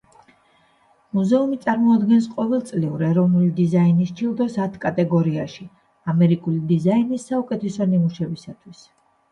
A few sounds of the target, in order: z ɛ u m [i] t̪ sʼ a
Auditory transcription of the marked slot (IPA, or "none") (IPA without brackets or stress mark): i